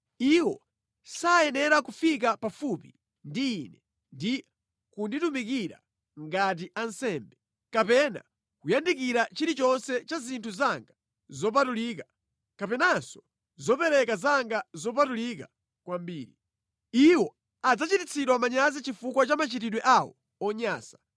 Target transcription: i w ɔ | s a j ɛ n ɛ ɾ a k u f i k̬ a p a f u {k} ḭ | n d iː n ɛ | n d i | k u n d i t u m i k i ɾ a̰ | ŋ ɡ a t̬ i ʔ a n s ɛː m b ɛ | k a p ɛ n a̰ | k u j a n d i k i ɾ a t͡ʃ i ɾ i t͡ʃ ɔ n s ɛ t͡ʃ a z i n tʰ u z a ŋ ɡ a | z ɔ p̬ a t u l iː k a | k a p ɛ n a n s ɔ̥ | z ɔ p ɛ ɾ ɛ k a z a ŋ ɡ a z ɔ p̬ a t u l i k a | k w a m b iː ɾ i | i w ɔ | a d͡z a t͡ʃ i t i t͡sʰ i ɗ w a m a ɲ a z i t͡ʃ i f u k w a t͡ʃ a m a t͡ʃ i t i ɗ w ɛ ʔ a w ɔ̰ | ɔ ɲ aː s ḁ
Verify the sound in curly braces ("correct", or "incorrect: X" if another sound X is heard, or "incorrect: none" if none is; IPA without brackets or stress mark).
incorrect: p